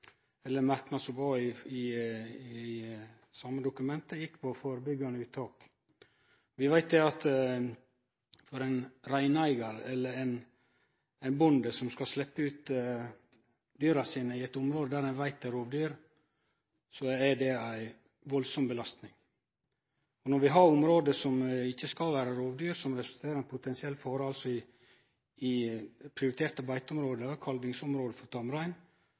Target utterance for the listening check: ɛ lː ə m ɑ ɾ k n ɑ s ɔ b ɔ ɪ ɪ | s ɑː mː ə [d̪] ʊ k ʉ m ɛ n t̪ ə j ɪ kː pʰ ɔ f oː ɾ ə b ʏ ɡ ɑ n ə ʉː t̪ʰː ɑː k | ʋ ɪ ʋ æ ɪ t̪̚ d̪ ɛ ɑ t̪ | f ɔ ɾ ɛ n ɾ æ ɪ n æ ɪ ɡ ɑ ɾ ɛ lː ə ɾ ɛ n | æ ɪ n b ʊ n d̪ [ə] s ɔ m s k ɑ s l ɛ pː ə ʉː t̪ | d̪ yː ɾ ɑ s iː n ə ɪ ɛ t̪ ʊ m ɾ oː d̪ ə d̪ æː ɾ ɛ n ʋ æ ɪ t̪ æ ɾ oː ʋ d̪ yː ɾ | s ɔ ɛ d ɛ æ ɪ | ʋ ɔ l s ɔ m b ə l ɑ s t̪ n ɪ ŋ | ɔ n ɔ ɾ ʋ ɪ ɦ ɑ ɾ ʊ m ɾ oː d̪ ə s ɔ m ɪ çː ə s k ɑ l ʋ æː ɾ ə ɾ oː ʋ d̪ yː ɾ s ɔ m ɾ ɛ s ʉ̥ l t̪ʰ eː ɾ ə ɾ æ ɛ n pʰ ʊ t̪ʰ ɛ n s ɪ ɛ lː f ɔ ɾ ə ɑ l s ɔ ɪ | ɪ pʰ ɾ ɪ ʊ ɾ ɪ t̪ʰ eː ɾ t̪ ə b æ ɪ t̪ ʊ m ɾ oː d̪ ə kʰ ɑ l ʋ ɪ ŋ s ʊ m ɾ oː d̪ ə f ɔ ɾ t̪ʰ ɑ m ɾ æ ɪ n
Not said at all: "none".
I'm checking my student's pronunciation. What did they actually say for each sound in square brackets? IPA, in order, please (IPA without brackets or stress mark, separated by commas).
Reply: d̪, ə